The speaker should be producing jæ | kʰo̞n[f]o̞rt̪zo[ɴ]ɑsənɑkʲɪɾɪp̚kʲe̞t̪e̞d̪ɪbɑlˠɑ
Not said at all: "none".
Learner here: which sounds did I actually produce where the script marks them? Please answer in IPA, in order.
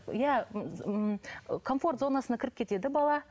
f, n

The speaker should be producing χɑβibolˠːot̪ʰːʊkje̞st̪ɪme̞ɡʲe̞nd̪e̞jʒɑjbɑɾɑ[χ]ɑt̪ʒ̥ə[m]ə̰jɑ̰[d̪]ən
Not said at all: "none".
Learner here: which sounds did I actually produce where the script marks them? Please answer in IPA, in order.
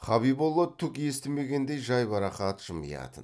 χ, m, t̪

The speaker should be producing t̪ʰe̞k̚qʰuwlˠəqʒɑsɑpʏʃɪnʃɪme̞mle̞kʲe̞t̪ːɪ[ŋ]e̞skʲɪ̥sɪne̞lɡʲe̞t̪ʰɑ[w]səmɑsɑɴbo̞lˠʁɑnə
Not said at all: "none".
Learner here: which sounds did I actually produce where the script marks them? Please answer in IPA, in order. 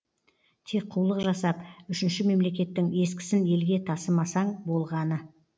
ŋ, none

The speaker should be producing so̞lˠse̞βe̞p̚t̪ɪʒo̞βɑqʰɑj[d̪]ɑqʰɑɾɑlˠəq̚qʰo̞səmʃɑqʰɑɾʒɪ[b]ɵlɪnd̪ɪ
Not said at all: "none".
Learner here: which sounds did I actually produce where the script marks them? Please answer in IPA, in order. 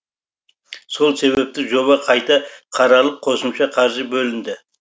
t̪, b

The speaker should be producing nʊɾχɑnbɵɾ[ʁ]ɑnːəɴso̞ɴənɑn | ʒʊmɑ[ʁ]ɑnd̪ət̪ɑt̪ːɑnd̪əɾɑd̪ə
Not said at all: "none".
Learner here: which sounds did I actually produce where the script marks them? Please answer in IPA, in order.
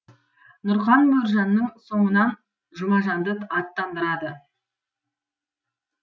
ʒ, ʒ

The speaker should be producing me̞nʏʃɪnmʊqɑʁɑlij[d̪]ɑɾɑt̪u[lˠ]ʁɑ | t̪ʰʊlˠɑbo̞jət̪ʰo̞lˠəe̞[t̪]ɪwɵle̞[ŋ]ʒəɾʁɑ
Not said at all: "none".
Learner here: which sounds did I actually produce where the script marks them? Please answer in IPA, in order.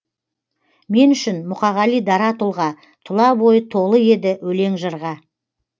d̪, lˠ, d̪, ŋ

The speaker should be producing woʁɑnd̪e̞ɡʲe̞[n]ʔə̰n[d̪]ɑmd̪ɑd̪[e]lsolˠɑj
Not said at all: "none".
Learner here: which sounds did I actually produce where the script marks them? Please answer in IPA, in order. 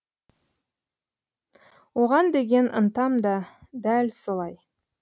n, t̪, æ

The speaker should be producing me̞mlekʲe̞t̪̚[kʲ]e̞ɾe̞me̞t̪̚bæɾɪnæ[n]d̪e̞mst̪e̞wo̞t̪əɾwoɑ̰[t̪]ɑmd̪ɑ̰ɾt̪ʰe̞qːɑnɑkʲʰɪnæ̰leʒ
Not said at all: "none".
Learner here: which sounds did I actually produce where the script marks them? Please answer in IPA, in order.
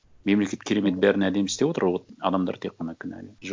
kʲʰ, none, d̪

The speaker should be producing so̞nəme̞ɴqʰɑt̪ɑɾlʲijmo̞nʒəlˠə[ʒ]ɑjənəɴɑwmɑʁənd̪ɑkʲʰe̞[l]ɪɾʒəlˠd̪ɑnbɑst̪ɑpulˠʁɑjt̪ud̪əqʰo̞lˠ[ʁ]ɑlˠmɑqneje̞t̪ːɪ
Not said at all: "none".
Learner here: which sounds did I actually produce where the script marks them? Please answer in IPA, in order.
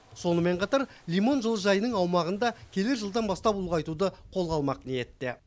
ʒ, l, ʁ

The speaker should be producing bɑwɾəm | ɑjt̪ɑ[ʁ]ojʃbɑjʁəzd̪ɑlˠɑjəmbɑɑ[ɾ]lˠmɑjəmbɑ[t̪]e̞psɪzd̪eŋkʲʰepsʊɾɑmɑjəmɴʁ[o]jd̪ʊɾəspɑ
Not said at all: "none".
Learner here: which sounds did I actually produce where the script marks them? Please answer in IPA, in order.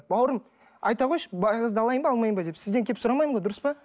ʁ, none, d̪, o

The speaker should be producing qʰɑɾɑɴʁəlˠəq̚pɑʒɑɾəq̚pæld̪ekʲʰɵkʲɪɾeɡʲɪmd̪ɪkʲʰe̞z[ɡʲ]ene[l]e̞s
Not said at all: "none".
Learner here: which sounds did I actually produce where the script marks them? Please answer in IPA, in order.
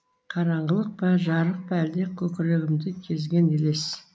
ɡʲ, l

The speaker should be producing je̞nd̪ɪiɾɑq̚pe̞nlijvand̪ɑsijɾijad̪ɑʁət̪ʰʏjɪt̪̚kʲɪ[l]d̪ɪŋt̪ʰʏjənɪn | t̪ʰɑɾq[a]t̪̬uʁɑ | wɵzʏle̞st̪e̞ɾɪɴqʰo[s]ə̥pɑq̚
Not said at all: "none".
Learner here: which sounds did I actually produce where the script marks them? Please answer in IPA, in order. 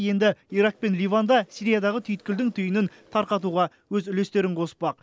l, ɑ, s

